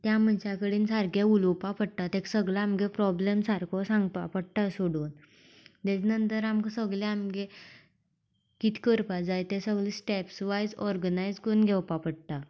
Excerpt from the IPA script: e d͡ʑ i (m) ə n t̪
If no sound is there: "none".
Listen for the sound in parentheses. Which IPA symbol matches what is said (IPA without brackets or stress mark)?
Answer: n